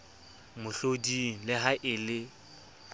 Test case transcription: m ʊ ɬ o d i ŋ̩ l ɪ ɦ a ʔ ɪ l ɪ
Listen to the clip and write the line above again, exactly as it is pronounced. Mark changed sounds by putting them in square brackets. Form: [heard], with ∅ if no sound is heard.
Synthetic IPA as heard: m ʊ ɬ o d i ŋ̩ l ɪ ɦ a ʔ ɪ l ɪ